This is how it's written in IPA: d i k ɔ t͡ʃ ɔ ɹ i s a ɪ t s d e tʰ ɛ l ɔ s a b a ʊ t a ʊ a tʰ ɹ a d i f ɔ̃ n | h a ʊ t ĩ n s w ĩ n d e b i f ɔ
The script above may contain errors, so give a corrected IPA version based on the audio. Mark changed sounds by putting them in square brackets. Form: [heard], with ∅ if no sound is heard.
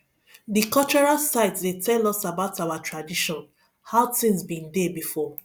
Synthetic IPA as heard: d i k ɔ t͡ʃ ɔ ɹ [a] s a ɪ t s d e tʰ ɛ l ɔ s a b a ʊ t a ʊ a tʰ ɹ a d i [ʃ] ɔ̃ n | h a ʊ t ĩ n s [b] ĩ n d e b i f ɔ